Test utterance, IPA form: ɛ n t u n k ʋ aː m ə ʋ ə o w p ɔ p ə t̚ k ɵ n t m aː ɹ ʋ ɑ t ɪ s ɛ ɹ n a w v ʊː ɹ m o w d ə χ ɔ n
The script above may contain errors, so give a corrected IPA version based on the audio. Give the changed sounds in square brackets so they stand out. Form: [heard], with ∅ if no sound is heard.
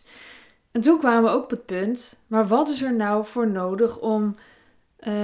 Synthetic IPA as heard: ɛ n t u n k ʋ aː m ə ʋ ə o w [k] ɔ p ə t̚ [p] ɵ n t m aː ɹ ʋ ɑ t ɪ s ɛ ɹ n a w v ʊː ɹ [n] o w d ə χ ɔ [m]